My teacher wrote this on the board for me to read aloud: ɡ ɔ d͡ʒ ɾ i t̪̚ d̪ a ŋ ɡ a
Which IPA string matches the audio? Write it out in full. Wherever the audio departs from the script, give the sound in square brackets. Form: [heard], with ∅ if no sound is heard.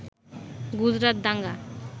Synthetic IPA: ɡ [u] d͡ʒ ɾ [a] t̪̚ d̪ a ŋ ɡ a